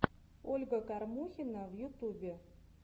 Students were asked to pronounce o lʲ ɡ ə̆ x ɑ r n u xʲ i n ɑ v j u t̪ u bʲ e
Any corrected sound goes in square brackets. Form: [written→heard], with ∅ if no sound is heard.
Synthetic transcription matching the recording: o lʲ ɡ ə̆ [x→k] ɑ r [n→m] u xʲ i n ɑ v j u t̪ u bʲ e